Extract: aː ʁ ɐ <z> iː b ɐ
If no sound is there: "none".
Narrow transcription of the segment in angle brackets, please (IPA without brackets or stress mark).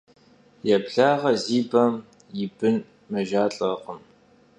z